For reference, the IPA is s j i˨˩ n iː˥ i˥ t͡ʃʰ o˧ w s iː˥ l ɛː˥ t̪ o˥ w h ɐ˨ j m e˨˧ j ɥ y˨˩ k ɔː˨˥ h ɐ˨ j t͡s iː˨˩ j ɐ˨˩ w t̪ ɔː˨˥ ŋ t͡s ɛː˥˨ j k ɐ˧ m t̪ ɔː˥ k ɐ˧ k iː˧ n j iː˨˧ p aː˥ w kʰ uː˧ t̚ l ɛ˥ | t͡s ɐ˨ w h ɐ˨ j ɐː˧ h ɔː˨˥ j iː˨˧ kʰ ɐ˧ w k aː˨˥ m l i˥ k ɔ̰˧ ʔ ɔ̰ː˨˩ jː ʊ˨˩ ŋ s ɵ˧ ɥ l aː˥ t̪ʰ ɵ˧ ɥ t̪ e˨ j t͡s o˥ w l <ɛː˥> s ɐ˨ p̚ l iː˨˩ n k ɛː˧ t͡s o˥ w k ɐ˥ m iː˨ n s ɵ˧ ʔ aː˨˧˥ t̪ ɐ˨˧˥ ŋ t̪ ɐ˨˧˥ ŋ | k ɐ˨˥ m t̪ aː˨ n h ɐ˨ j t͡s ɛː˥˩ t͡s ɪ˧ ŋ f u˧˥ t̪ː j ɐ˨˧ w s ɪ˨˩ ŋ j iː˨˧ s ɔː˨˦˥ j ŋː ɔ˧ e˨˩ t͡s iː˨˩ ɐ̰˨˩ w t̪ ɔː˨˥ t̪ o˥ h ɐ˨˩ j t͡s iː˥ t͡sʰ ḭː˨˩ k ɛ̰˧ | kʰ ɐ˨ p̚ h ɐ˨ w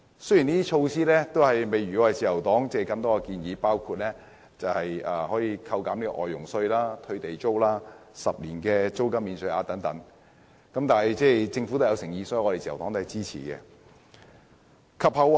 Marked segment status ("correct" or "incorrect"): incorrect